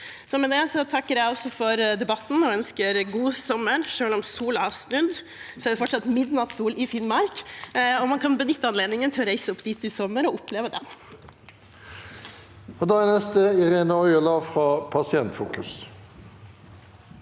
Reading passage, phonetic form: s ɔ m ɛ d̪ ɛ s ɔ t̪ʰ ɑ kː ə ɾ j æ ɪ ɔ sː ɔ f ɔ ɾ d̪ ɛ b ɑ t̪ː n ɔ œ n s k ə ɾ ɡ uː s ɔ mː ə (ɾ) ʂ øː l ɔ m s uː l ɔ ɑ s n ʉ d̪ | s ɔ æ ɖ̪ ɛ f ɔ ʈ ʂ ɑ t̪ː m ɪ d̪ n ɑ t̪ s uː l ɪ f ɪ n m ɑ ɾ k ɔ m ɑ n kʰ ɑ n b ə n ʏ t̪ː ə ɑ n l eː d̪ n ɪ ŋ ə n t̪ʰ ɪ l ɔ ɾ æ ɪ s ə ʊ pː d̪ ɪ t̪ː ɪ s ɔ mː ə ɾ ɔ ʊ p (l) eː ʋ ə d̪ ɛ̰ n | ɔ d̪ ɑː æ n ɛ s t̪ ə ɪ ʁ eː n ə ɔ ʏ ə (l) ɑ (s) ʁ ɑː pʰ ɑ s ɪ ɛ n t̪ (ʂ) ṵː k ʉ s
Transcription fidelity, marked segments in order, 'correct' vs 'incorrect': correct, correct, correct, incorrect: f, incorrect: f

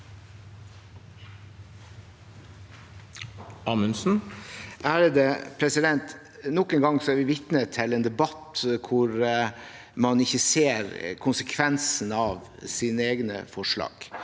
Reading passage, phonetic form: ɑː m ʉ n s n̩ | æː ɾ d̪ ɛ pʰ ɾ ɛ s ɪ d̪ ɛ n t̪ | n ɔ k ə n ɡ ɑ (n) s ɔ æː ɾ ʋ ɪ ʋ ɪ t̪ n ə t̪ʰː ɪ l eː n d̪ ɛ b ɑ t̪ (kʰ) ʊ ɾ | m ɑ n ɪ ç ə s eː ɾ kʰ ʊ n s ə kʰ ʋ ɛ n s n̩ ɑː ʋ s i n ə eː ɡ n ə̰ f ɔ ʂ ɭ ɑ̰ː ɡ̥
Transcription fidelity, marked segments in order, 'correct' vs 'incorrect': incorrect: ŋ, correct

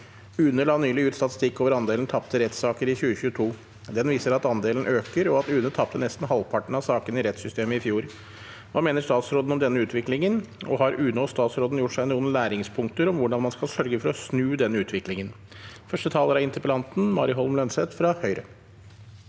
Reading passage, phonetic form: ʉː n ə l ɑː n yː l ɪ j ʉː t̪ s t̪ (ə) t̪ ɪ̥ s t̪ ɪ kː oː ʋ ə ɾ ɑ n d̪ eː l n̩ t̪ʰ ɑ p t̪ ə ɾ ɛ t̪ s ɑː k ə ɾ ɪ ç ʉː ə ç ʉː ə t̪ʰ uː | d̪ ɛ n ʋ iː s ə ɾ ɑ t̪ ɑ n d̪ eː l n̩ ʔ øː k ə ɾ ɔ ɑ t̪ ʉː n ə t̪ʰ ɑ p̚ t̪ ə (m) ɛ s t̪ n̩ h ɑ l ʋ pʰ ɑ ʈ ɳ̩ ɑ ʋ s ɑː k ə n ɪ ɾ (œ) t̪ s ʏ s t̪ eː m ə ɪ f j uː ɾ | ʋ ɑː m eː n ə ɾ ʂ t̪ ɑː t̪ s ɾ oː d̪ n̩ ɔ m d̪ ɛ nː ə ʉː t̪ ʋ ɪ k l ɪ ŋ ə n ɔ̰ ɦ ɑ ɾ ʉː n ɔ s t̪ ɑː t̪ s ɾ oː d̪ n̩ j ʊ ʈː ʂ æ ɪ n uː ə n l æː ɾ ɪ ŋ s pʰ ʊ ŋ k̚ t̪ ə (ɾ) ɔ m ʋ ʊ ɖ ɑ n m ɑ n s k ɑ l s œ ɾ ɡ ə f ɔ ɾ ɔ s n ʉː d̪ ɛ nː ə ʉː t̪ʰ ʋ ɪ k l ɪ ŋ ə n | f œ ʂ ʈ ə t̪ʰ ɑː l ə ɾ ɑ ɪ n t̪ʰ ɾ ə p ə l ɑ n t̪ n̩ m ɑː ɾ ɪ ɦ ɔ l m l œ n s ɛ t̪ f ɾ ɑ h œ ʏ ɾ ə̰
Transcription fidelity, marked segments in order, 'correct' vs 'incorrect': incorrect: ɑ, incorrect: n, incorrect: ɛ, correct

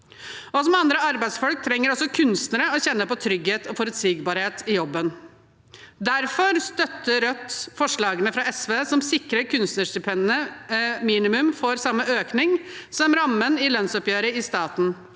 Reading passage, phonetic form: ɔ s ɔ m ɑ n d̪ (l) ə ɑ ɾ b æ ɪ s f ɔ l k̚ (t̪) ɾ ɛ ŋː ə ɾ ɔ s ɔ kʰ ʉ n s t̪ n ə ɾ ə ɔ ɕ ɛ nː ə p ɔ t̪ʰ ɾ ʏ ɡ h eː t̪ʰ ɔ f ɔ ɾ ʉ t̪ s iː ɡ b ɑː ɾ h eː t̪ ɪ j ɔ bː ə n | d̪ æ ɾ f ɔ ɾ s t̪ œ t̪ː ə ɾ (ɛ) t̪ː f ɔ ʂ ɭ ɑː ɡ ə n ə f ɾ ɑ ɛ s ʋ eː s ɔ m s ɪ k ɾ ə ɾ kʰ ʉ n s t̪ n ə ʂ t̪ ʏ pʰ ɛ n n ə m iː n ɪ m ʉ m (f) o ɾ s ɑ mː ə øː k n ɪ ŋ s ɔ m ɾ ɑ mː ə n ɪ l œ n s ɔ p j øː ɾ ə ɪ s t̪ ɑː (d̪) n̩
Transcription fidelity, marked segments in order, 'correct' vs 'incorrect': incorrect: ɾ, incorrect: t̪ʰ, incorrect: œ, correct, incorrect: t̪

